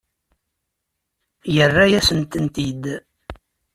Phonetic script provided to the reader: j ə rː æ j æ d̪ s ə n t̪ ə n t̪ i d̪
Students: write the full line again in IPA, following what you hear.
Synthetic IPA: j ə rː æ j æ s ə n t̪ ə n t̪ i d̪